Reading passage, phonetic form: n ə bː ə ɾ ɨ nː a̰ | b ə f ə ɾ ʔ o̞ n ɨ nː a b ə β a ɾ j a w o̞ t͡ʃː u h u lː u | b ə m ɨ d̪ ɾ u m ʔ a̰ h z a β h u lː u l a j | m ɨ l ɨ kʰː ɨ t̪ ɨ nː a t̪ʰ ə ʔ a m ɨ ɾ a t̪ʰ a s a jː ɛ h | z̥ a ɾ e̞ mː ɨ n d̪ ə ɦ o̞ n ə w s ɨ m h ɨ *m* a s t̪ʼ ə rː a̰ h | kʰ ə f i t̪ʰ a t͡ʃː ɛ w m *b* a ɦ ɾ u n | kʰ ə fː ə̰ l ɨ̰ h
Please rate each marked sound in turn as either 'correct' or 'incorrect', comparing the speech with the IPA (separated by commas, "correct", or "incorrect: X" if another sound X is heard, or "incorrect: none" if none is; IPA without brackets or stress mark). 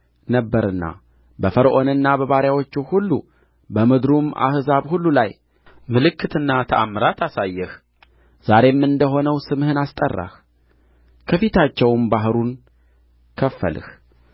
incorrect: n, correct